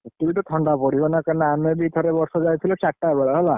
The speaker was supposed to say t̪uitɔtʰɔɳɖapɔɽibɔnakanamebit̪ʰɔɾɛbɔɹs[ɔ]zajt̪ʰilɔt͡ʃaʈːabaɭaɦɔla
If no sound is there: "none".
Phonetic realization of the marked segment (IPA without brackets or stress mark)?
ɔ